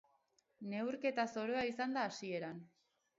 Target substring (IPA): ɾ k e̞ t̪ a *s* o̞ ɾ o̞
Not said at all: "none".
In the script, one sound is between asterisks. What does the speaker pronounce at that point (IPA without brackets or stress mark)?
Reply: s